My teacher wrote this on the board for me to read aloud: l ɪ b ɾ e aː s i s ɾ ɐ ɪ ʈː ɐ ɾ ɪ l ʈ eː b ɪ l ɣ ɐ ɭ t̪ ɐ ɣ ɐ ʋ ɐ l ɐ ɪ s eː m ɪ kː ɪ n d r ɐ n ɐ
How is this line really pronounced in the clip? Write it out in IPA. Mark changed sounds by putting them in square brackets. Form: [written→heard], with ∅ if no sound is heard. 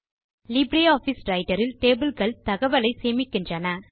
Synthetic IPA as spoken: l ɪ b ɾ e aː [s→f] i s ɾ ɐ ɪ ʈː ɐ ɾ ɪ l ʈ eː b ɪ l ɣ ɐ ɭ t̪ ɐ ɣ ɐ ʋ ɐ l ɐ ɪ s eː m ɪ kː ɪ n d r ɐ n ɐ